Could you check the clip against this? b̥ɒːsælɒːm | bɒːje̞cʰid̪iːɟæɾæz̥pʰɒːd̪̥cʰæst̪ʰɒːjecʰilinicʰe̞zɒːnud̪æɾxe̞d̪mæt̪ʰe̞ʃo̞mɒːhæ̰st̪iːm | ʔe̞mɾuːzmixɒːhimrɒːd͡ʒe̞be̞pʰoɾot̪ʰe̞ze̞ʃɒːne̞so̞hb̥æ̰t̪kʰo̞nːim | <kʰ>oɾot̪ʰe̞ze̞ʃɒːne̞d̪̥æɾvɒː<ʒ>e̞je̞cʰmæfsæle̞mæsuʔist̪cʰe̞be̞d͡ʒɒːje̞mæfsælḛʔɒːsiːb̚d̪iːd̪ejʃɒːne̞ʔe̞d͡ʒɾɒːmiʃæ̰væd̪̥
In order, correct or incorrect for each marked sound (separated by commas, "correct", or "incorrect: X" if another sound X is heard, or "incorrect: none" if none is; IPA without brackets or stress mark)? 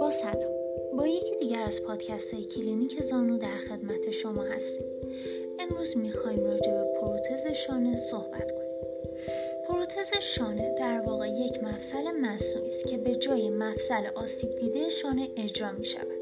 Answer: incorrect: pʰ, incorrect: ɣ